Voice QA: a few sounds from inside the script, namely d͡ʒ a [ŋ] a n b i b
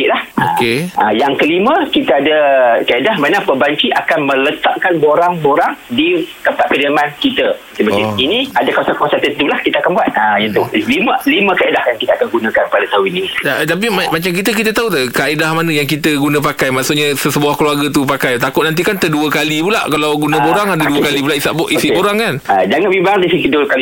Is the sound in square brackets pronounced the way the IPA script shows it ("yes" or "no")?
yes